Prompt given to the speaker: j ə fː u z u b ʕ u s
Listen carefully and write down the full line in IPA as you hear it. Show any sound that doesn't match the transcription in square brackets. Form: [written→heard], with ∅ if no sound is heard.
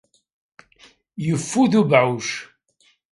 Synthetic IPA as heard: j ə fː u [z→ð] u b ʕ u [s→ʃ]